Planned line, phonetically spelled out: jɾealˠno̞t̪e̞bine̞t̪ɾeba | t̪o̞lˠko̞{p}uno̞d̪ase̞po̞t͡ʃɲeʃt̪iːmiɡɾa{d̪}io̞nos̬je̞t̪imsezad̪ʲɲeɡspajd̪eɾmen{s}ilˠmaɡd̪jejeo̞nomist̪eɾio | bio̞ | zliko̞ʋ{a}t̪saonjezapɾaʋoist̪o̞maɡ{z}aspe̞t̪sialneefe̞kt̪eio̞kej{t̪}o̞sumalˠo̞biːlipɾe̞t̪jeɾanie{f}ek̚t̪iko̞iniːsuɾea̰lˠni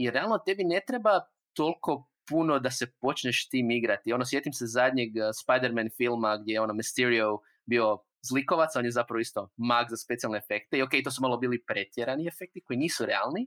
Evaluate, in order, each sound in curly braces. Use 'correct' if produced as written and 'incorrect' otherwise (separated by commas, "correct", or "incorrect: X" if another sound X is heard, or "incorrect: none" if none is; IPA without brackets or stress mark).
correct, incorrect: t̪, incorrect: f, correct, correct, correct, correct